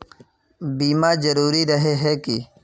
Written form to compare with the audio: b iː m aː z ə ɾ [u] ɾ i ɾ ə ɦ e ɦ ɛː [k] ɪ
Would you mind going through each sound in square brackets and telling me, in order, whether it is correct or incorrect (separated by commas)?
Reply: incorrect, correct